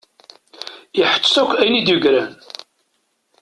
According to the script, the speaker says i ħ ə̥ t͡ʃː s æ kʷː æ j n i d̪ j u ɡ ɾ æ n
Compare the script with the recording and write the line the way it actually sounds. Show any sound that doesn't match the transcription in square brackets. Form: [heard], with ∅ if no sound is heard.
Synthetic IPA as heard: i ħ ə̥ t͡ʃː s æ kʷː æ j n i d̪ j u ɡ ɾ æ n